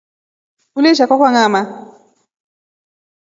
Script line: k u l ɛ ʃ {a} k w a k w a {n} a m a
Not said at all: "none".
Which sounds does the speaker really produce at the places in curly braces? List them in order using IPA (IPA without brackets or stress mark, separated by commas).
a, ŋ